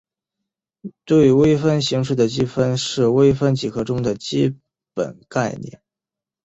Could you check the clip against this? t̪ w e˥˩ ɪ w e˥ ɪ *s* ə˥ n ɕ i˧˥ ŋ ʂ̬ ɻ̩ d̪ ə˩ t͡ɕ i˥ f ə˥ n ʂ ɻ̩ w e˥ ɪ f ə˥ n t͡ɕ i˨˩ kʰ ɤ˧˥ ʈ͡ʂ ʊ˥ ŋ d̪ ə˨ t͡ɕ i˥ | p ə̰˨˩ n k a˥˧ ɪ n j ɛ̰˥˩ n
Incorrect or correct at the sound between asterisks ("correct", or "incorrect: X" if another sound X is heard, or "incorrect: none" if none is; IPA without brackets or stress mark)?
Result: incorrect: f